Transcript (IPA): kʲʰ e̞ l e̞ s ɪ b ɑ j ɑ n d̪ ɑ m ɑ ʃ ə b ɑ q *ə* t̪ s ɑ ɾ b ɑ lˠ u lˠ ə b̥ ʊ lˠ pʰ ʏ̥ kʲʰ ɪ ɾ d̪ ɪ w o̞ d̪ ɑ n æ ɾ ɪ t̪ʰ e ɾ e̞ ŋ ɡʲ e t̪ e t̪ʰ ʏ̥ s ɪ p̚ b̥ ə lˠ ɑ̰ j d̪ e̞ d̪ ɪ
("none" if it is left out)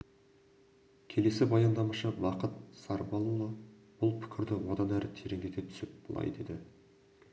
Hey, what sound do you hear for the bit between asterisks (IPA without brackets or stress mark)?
ə